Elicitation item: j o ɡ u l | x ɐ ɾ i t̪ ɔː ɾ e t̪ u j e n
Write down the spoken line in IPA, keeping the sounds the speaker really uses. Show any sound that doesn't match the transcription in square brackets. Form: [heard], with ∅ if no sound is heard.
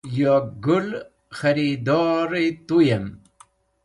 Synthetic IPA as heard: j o ɡ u l | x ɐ ɾ i [d̪] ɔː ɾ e t̪ u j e [m]